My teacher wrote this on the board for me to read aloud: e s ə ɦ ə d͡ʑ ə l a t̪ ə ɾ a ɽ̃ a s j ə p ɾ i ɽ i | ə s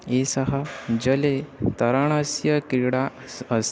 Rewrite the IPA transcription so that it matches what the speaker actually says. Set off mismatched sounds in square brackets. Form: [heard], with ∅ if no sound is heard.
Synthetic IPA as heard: e s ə ɦ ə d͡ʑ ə l [e] t̪ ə ɾ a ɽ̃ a s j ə [k] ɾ i ɽ [a] | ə s